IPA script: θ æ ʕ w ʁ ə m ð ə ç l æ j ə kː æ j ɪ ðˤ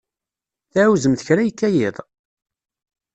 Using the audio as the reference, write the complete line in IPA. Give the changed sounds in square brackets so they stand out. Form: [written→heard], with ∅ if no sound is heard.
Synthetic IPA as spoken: θ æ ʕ w [ʁ→z] ə m [ð→θ] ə ç [l→ɾ] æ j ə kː æ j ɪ ðˤ